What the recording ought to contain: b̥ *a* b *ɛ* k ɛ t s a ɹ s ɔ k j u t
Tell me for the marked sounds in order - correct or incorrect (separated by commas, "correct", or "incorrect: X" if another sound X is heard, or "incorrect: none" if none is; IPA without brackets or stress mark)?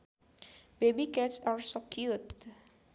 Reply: incorrect: e, incorrect: i